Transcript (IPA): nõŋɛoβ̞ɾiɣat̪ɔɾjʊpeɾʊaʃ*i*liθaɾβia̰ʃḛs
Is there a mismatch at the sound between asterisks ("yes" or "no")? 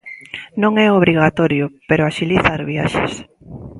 no